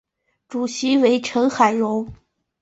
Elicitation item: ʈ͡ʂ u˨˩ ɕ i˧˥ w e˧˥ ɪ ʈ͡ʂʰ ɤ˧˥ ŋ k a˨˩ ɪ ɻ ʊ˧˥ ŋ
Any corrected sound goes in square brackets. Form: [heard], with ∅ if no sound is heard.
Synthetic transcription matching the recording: ʈ͡ʂ u˨˩ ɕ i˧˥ w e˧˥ ɪ ʈ͡ʂʰ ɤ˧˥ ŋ [x] a˨˩ ɪ ɻ ʊ˧˥ ŋ

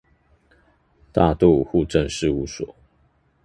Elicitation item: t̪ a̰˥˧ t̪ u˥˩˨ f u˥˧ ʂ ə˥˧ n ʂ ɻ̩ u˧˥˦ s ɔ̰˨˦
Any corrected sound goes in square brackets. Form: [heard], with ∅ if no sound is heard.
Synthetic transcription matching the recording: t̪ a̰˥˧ t̪ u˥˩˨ [x] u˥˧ [ʈ͡ʂ] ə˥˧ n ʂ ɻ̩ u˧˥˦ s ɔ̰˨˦

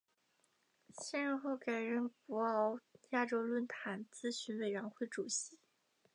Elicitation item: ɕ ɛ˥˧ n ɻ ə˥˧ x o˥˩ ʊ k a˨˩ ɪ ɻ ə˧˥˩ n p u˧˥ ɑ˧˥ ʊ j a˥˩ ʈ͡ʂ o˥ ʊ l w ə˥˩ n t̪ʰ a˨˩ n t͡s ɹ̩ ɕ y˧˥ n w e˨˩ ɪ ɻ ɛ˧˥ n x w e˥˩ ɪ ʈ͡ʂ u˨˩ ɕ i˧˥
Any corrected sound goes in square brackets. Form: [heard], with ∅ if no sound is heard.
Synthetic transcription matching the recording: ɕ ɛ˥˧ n ɻ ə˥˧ x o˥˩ ʊ k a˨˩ ɪ ɻ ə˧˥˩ n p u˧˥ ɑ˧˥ ʊ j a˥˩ ʈ͡ʂ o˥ ʊ l w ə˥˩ n t̪ʰ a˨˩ n t͡s ɹ̩ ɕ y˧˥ n w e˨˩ ɪ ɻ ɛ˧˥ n x w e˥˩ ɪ ʈ͡ʂ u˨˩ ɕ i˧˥

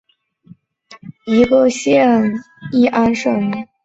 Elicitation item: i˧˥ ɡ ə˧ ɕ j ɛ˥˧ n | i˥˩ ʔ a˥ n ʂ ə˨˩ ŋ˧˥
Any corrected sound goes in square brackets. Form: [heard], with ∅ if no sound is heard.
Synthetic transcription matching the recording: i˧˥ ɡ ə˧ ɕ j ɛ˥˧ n | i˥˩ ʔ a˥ n ʂ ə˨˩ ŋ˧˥

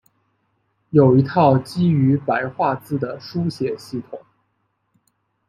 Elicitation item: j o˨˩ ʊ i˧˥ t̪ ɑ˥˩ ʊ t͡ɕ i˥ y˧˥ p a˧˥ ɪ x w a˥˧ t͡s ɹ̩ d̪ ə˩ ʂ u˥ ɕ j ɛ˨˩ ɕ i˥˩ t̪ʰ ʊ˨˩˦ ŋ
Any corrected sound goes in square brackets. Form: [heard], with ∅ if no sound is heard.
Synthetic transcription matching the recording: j o˨˩ ʊ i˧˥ [t̪ʰ] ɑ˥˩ ʊ t͡ɕ i˥ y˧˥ p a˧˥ ɪ x w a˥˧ t͡s ɹ̩ d̪ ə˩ ʂ u˥ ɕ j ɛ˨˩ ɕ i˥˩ t̪ʰ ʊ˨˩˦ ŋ

